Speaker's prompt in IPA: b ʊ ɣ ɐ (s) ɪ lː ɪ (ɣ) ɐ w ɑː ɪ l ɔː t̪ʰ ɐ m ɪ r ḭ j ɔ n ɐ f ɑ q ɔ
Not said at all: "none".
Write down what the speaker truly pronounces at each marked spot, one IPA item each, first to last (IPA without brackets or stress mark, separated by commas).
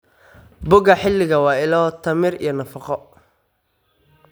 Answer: ħ, ɣ